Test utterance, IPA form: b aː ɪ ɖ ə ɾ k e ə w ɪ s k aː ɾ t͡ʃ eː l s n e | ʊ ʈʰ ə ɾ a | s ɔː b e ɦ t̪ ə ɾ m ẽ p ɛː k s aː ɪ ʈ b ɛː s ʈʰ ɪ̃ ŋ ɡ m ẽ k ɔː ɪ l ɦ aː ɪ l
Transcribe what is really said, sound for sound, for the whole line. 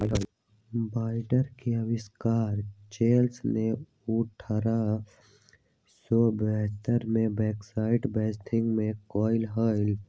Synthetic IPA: b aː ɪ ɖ ə ɾ k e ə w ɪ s k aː ɾ t͡ʃ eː l s n e | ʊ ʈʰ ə ɾ a | s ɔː b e ɦ t̪ ə ɾ m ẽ b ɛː k s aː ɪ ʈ b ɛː s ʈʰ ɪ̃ ŋ ɡ m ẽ k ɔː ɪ l ɦ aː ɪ l

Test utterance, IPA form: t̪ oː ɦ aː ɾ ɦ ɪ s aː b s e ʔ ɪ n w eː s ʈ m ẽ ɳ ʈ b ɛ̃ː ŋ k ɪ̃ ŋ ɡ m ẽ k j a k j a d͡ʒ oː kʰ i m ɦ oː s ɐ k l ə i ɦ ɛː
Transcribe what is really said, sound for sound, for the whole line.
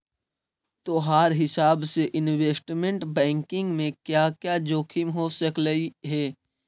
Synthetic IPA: t̪ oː ɦ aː ɾ ɦ ɪ s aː b s e ʔ ɪ n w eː s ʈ m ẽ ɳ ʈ b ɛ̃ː ŋ k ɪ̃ ŋ ɡ m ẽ k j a k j a d͡ʒ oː kʰ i m ɦ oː s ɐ k l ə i ɦ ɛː

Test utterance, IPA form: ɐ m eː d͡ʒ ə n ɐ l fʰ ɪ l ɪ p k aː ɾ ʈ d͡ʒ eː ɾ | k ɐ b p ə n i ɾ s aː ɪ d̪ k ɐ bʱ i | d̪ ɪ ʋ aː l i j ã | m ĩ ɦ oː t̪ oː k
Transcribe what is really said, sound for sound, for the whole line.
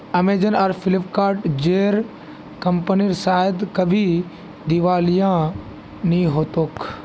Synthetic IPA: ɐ m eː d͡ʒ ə n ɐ ɾ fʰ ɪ l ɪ p k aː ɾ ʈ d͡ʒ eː ɾ | k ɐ m p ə n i ɾ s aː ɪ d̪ k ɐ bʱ i | d̪ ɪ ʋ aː l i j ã | n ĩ ɦ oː t̪ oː k

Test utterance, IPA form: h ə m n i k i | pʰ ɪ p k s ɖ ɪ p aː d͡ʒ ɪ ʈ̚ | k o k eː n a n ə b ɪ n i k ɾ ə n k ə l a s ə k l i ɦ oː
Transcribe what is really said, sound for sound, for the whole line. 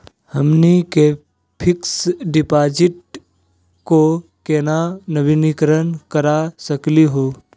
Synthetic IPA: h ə m n i k e | pʰ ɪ k s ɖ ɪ p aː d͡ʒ ɪ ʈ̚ | k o k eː n a n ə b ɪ n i k ɾ ə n k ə ɾ a s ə k l i ɦ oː

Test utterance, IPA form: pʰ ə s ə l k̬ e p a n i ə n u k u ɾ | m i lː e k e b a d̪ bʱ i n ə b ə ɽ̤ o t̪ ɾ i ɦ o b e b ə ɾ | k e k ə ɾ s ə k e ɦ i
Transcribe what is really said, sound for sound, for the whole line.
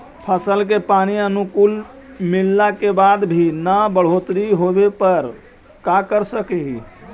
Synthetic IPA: pʰ ə s ə l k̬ e p a n i ə n u k u l | m i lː a k e b a d̪ bʱ i n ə b ə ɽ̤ o t̪ ɾ i ɦ o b e p ə ɾ | k a k ə ɾ s ə k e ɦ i

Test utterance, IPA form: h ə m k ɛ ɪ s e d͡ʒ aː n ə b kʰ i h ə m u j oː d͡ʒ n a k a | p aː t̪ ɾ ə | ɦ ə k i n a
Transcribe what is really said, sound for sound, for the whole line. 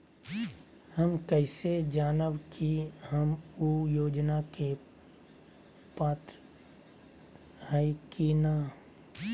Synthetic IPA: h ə m k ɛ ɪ s e d͡ʒ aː n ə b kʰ i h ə m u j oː d͡ʒ n a k e | p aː t̪ ɾ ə | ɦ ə k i n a

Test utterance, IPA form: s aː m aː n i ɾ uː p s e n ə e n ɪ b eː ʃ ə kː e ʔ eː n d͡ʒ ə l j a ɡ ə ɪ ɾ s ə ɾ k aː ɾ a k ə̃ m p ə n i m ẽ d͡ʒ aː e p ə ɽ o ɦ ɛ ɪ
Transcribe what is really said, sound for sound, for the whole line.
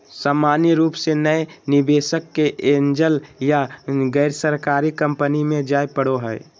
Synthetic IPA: s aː m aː n i ɾ uː p s e n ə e n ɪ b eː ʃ ə kː e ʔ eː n d͡ʒ ə l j a ɡ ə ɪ ɾ s ə ɾ k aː ɾ i k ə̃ m p ə n i m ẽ d͡ʒ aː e p ə ɽ o ɦ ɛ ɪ

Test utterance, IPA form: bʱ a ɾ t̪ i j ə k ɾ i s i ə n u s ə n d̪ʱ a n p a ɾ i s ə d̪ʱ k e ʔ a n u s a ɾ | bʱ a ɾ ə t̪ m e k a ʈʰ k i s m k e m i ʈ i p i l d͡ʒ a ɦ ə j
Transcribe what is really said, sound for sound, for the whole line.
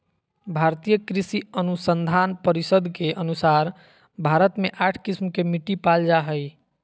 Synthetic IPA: bʱ a ɾ t̪ i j ə k ɾ i s i ə n u s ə n d̪ʱ a n p ə ɾ i s ə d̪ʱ k e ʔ ə n u s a ɾ | bʱ a ɾ ə t̪ m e ʔ a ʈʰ k i s m k e m i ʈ i p a l d͡ʒ a ɦ ə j

